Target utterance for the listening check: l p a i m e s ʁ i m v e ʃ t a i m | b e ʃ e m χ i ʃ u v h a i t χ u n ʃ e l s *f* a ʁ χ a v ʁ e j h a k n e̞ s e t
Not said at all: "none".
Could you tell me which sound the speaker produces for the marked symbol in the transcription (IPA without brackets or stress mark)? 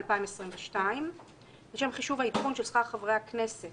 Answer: χ